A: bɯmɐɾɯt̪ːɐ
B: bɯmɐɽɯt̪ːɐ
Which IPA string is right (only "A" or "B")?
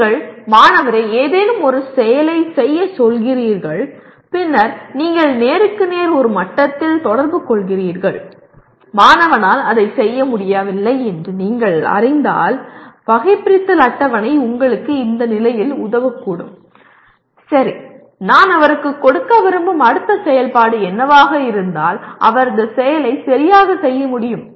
B